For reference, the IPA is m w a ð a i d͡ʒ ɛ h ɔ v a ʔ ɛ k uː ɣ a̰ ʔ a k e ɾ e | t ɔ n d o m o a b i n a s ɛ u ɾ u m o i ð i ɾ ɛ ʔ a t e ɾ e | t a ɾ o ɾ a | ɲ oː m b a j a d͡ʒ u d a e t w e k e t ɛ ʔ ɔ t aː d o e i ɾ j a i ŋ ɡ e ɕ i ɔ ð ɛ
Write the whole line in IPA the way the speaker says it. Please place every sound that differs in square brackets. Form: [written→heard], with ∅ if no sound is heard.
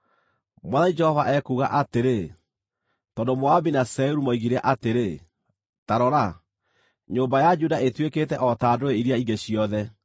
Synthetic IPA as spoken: m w a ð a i d͡ʒ ɛ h ɔ v a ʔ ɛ k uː ɣ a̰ ʔ a [k→t] e ɾ e | t ɔ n d o m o a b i n a s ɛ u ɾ u m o i [ð→ɣ] i ɾ ɛ ʔ a t e ɾ e | t a ɾ [o→ɔ] ɾ a | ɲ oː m b a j a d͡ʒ u d a e t w e k e t ɛ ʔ ɔ t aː d o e i ɾ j a i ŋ ɡ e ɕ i ɔ ð ɛ